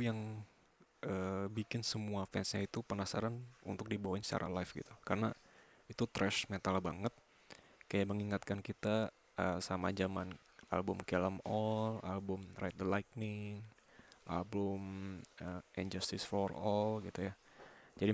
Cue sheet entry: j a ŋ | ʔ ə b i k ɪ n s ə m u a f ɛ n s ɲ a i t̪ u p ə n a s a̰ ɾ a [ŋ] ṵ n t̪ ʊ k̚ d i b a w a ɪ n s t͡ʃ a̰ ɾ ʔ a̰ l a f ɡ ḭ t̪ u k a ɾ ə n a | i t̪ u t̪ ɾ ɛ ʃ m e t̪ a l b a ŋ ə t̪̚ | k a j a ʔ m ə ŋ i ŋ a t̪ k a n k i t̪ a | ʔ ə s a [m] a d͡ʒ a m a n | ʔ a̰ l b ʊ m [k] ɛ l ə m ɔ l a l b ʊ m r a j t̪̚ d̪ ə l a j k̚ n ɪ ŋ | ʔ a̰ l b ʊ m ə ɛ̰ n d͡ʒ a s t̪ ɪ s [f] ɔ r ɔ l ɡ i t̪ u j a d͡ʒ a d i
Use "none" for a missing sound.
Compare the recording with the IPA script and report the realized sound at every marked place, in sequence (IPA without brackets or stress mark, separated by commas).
n, m, k, f